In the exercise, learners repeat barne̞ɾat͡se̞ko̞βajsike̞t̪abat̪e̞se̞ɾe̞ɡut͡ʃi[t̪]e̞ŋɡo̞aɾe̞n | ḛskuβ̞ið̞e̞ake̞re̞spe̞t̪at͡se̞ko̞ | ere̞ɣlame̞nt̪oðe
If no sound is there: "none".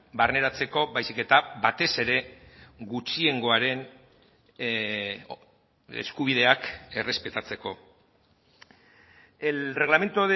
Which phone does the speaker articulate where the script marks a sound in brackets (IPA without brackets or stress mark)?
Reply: none